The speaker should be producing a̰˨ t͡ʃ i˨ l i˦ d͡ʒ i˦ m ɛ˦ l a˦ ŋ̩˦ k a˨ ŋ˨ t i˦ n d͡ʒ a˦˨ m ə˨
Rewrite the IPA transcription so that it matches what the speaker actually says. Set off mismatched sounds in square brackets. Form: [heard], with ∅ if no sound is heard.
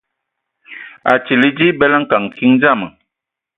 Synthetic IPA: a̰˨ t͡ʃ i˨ l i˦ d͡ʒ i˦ [b] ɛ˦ l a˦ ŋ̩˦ k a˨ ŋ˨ [k] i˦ [ŋ] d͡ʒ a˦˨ m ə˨